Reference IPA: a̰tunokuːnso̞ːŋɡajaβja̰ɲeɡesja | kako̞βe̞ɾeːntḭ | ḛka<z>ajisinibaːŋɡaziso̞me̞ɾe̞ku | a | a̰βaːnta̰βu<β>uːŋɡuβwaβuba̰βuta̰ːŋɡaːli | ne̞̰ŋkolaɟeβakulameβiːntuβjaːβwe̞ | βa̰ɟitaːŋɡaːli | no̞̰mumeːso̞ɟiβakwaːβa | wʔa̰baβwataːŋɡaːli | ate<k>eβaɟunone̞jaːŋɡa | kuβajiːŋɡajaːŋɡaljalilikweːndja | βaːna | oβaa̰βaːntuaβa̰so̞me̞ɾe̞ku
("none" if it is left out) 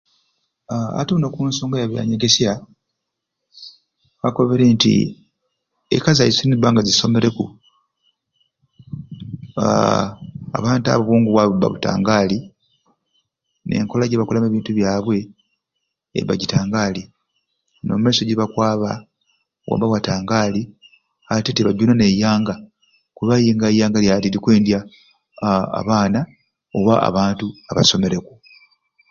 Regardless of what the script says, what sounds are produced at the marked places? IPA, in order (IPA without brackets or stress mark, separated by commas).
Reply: z, β, t